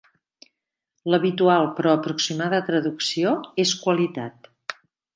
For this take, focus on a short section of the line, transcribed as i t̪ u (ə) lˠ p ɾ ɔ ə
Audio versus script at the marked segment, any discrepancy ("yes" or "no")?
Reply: yes